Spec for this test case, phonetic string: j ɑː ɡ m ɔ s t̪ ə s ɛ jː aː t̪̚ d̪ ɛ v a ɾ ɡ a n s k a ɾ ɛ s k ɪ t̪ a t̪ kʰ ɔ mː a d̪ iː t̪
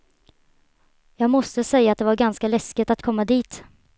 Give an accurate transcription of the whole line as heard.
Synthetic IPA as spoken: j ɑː ɡ m ɔ s t̪ ə s ɛ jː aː t̪̚ d̪ ɛ v a ɾ ɡ a n s k a l ɛ s k ɪ t̪ a t̪ kʰ ɔ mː a d̪ iː t̪